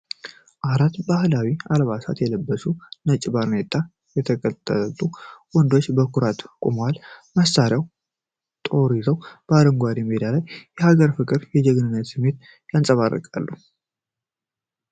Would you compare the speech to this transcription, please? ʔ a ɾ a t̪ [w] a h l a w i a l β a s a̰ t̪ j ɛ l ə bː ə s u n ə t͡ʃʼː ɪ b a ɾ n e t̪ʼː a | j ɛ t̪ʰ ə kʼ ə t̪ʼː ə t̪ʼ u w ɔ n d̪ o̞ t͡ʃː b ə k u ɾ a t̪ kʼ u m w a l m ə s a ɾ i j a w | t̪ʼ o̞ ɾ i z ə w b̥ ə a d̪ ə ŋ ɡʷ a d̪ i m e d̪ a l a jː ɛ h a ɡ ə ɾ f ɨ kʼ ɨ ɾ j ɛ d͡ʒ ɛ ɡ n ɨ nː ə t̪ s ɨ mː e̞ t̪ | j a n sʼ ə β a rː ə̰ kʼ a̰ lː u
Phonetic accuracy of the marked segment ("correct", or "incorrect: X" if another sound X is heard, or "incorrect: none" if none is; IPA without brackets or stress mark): incorrect: b